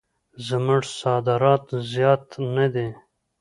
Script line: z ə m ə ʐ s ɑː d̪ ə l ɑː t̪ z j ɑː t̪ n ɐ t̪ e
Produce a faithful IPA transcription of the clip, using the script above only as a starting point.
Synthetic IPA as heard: z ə m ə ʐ s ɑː d̪ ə ɾ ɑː t̪ z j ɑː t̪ n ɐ d̪ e